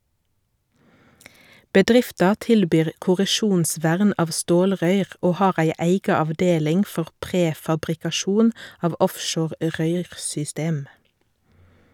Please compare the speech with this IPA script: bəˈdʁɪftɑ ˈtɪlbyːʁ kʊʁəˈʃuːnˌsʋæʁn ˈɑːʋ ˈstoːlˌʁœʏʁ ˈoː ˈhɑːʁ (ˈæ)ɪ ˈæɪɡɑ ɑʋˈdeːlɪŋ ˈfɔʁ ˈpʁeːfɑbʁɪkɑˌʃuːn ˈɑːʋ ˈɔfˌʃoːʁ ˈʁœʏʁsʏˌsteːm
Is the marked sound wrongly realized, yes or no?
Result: no